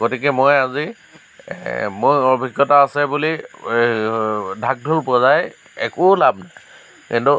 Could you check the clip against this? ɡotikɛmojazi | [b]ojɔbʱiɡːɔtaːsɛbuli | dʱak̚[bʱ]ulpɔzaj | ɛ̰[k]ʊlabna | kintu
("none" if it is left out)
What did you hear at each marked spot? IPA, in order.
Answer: m, dʱ, k

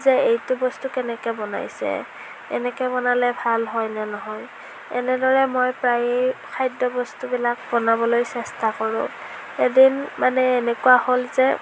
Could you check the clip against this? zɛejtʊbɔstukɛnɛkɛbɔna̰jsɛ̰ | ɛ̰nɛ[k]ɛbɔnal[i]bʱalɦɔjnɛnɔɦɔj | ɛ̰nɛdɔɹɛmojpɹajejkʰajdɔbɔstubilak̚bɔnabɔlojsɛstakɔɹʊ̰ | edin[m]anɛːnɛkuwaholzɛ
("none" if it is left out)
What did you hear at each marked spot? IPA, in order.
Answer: k, ɛ, m

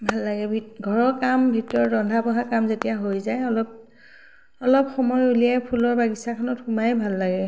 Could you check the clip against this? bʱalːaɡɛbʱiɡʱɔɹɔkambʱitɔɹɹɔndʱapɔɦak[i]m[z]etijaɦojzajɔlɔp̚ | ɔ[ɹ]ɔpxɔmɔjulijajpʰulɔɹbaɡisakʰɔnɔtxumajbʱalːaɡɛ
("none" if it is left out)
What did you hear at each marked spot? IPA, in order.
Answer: a, z, l

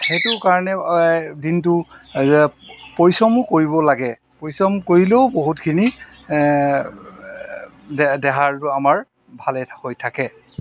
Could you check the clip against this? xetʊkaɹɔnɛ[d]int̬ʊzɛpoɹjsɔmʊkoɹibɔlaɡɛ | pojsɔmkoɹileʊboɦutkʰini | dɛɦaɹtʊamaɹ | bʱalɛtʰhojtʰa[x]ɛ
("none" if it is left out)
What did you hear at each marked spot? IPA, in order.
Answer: d, k

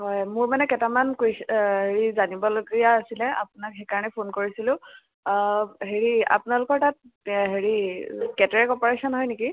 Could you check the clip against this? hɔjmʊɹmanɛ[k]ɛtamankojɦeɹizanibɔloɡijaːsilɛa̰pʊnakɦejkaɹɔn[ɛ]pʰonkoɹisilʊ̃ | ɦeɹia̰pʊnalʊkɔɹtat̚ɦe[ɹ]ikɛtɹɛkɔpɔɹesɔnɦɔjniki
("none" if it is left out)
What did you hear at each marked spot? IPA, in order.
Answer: k, ɛ, ɹ

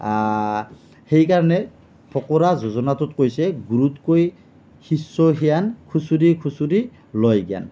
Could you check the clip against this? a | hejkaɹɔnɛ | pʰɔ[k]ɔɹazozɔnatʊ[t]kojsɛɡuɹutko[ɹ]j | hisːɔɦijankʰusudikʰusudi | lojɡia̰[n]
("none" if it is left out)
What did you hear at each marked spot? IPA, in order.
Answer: k, t, none, n

